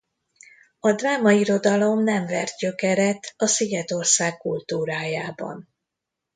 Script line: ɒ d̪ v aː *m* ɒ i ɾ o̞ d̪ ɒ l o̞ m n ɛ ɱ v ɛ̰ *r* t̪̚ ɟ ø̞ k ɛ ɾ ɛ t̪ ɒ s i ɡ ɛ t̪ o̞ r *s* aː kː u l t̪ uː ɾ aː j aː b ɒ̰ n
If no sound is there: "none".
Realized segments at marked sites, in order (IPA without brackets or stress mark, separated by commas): m, r, s